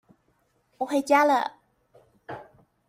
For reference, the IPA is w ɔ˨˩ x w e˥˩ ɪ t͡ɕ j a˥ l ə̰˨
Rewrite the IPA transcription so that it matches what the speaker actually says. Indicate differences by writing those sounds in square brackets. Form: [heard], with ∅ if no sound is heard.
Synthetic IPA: w ɔ˨˩ x w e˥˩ ɪ t͡ɕ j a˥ l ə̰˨